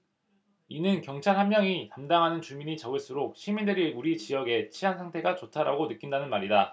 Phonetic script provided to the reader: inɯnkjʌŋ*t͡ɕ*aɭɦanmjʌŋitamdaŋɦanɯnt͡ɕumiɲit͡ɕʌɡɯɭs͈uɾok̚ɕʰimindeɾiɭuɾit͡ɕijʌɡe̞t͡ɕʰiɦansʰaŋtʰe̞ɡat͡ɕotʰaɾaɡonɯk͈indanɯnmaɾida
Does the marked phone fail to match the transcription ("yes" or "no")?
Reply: yes